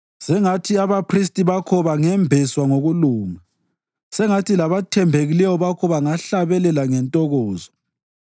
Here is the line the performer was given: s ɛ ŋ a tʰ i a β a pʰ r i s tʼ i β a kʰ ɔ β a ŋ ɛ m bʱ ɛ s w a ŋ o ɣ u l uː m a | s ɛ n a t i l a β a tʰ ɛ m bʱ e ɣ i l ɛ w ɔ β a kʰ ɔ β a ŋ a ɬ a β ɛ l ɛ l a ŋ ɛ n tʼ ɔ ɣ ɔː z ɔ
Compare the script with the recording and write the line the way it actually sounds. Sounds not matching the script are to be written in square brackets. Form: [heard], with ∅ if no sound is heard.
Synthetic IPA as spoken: s ɛ ŋ a tʰ i a β a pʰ r i s tʼ i β a kʰ ɔ β a ŋ ɛ m bʱ ɛ s w a ŋ o ɣ u l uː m a | s ɛ [ŋ] a t i l a β a tʰ ɛ m bʱ e ɣ i l ɛ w ɔ β a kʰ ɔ β a ŋ a ɬ a β ɛ l ɛ l a ŋ ɛ n tʼ ɔ ɣ ɔː z ɔ

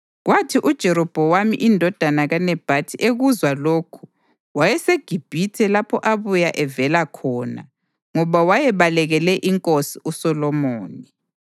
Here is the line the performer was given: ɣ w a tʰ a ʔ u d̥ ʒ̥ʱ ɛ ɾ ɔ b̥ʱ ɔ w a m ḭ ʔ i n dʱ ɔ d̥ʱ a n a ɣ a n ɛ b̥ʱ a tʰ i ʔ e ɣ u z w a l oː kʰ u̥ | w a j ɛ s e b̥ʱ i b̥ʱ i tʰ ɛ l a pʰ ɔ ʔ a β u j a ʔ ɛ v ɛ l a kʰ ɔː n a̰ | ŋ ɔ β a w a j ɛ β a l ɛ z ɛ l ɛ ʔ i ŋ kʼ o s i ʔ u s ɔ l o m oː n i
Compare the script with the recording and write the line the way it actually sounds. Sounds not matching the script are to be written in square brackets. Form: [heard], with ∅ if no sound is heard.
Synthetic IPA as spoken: ɣ w a tʰ [i] ʔ u d̥ ʒ̥ʱ ɛ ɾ ɔ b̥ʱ ɔ w a m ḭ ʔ i n dʱ ɔ d̥ʱ a n a ɣ a n ɛ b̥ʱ a tʰ i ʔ e ɣ u z w a l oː kʰ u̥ | w a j ɛ s e [ɡ̥ʱ] i b̥ʱ i tʰ ɛ l a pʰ ɔ ʔ a β u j a ʔ ɛ v ɛ l a kʰ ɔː n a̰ | ŋ ɔ β a w a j ɛ β a l ɛ [ɣ] ɛ l ɛ ʔ i ŋ kʼ o s i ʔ u s ɔ l [ɔ] m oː n i

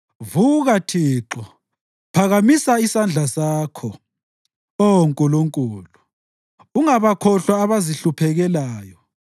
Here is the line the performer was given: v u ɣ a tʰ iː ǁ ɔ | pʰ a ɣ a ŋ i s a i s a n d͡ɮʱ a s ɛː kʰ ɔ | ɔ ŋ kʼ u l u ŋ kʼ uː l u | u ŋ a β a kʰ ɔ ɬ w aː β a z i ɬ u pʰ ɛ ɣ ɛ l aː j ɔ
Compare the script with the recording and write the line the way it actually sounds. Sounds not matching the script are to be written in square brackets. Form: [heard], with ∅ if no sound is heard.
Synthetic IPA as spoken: v u ɣ a tʰ iː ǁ ɔ | pʰ a ɣ a [m] i s a i s a n d͡ɮʱ a s [aː] kʰ ɔ | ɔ ŋ kʼ u l u ŋ kʼ uː l u | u ŋ a β a kʰ ɔ ɬ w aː β a z i ɬ u pʰ ɛ ɣ ɛ l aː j ɔ

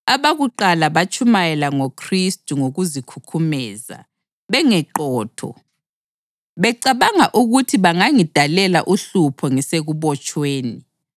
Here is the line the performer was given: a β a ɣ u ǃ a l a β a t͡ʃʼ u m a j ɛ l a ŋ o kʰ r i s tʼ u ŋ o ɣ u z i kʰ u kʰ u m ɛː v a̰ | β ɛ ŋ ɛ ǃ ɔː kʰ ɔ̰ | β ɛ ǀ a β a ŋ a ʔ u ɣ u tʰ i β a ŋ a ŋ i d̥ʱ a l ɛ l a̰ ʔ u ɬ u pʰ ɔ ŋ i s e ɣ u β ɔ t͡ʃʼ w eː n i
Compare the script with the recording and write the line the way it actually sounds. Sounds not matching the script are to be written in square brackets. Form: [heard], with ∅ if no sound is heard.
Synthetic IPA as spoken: a β a ɣ u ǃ a l a β a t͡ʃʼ u m a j ɛ l a ŋ o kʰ r i s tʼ u ŋ o ɣ u z i kʰ u kʰ u m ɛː [z] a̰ | β ɛ ŋ ɛ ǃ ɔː [tʰ] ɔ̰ | β ɛ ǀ a β a ŋ a ʔ u ɣ u tʰ i β a ŋ a ŋ i d̥ʱ a l ɛ l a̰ ʔ u ɬ u pʰ ɔ ŋ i s e ɣ u β ɔ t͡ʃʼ w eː n i

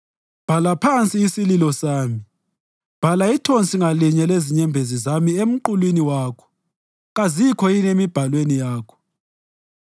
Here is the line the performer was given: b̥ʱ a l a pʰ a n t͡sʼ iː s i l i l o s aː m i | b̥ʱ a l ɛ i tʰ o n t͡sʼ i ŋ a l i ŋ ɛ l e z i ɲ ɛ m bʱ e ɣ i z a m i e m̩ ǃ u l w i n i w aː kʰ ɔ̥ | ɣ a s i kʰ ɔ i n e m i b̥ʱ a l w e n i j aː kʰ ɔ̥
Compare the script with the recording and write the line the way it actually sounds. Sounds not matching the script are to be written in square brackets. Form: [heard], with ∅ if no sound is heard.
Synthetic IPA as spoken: b̥ʱ a l a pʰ a n t͡sʼ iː s i l i l [ɔ] s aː m i | b̥ʱ a l [a] i tʰ o n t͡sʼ i ŋ a l i [ɲ] ɛ l e z i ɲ ɛ m bʱ e [z] i z a m i e m̩ ǃ u l w i n i w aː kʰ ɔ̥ | ɣ a [z] i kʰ ɔ i n e m i b̥ʱ a l w e n i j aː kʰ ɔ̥

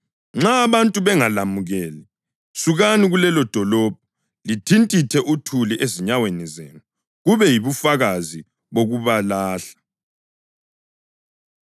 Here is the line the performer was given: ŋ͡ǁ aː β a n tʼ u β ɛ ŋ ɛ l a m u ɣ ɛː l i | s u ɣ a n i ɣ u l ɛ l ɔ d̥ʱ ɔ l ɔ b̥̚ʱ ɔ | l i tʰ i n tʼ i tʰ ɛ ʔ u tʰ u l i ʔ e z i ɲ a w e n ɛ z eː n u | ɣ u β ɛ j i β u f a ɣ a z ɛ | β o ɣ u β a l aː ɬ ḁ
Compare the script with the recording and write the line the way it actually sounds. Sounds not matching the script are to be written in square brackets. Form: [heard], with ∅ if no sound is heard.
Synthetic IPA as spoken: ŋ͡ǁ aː β a n tʼ u β ɛ ŋ [a] l a m u ɣ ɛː l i | s u ɣ a n i ɣ u l ɛ l ɔ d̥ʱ ɔ l ɔ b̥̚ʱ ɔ | l i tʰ i n tʼ i tʰ ɛ ʔ u tʰ u l i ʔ e z i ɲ a w e n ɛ z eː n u | ɣ u β ɛ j i β u f a ɣ a z [i] | β o ɣ u β a l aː ɬ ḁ

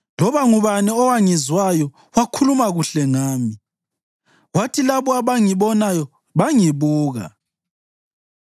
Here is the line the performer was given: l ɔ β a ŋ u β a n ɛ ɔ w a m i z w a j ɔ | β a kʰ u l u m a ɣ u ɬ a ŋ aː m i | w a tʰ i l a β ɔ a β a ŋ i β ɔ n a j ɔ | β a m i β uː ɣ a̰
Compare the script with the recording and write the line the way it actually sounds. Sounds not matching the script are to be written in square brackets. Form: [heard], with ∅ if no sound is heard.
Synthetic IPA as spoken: l ɔ β a ŋ u β a n ɛ ɔ w a [ŋ] i z w a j ɔ | [w] a kʰ u l u m a ɣ u ɬ [ɛ] ŋ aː m i | w a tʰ i l a β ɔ a β a ŋ i β ɔ n a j ɔ | β a [ŋ] i β uː ɣ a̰

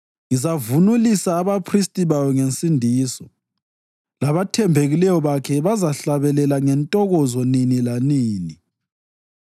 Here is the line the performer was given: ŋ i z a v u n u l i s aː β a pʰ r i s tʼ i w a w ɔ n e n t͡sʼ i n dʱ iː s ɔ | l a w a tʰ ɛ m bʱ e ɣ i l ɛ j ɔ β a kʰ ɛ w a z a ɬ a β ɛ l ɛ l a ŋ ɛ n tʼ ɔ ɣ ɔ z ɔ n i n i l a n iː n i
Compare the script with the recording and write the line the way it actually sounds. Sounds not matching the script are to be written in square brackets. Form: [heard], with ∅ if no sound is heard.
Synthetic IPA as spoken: ŋ i z a v u n u l i s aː β a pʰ r i s tʼ i [β] a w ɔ [ŋ] e n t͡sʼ i n dʱ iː s ɔ | l a [β] a tʰ ɛ m bʱ e ɣ i l ɛ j ɔ β a kʰ ɛ [β] a z a ɬ a β ɛ l ɛ l a ŋ ɛ n tʼ ɔ ɣ ɔ z ɔ n i n i l a n iː n i

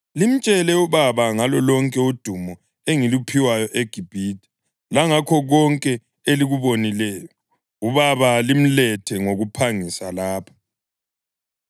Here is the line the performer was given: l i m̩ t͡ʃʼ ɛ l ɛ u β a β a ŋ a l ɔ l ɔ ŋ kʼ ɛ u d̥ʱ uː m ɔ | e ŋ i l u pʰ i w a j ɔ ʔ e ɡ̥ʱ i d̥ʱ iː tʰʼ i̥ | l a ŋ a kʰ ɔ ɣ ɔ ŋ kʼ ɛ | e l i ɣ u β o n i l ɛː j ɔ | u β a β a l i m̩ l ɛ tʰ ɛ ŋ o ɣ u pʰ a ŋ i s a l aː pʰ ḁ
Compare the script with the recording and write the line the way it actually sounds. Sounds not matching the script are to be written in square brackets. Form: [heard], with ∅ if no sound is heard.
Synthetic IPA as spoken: l i m̩ t͡ʃʼ ɛ l ɛ u β a β a ŋ a l ɔ l ɔ ŋ kʼ ɛ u d̥ʱ [u] m ɔ | e ŋ i l u pʰ i w a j ɔ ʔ e ɡ̥ʱ i [b̥ʱ] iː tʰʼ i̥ | l a ŋ a kʰ ɔ ɣ ɔ ŋ kʼ ɛ | e l i ɣ u β o n i l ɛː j ɔ | u β a β a l i m̩ l ɛ tʰ ɛ ŋ o ɣ u pʰ a ŋ i s a l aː pʰ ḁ

